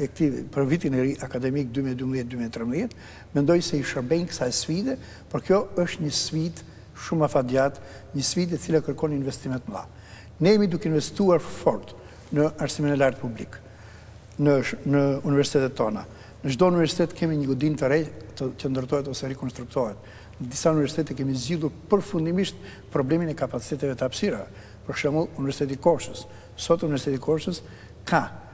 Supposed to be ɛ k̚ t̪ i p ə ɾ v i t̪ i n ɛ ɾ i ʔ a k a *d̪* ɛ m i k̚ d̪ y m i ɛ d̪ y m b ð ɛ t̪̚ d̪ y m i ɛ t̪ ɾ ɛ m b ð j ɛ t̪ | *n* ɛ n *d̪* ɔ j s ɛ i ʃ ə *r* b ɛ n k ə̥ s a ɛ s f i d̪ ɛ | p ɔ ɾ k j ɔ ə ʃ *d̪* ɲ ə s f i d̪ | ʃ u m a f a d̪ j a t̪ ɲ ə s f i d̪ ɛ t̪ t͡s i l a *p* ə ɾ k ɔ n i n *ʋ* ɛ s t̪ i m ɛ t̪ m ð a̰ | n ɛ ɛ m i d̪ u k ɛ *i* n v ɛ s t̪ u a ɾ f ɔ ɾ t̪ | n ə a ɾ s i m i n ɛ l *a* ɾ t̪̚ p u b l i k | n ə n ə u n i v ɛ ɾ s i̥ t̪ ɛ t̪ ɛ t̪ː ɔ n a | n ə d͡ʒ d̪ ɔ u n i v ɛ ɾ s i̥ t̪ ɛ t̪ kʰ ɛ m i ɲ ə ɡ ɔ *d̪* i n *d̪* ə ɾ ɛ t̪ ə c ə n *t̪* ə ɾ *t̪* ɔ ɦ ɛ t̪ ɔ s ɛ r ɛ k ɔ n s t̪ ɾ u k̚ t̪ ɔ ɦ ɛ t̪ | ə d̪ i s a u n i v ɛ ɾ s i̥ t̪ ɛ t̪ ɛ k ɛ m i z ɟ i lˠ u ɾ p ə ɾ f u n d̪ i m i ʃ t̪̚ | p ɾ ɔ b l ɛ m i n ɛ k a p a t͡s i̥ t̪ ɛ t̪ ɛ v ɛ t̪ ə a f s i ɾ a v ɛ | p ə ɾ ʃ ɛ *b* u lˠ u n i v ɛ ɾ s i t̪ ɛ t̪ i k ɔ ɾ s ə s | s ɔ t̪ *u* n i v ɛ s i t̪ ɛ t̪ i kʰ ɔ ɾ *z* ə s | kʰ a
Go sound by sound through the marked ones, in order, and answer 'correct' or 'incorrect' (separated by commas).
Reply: correct, incorrect, correct, incorrect, incorrect, incorrect, incorrect, correct, correct, correct, incorrect, incorrect, correct, incorrect, correct, incorrect